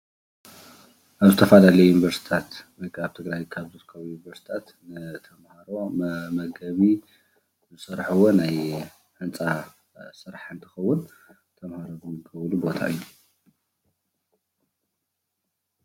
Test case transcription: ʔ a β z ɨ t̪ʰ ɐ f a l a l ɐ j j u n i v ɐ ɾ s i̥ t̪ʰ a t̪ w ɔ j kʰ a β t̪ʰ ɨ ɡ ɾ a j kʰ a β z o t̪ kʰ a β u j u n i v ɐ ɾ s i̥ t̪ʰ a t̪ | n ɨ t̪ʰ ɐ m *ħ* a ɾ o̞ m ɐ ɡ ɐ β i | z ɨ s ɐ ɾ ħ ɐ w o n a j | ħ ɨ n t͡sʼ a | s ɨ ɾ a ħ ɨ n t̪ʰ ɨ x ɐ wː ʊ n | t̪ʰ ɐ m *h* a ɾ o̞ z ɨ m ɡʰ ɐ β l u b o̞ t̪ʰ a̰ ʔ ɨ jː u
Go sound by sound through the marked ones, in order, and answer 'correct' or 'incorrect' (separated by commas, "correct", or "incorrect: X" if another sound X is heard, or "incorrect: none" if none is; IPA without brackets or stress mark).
incorrect: h, correct